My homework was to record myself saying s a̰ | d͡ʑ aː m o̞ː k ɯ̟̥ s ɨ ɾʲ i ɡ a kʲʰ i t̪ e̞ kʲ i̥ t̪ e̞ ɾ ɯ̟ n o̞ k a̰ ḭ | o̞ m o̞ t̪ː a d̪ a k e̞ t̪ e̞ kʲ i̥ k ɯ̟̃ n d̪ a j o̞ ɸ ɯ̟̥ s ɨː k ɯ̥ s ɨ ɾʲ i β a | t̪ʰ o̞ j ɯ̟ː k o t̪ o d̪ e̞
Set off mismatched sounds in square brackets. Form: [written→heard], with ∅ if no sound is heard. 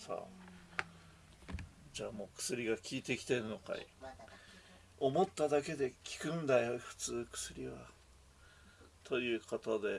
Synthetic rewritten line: s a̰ | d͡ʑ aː m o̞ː k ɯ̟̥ s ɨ ɾʲ i ɡ a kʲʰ [i→iː] t̪ e̞ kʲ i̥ t̪ e̞ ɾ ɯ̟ n o̞ k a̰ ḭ | o̞ m o̞ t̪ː a d̪ a k e̞ [t̪→d̪] e̞ kʲ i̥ k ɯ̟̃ n d̪ a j o̞ ɸ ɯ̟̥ [s→t͡s] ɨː k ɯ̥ s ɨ ɾʲ i β a | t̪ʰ o̞ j ɯ̟ː k o t̪ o d̪ e̞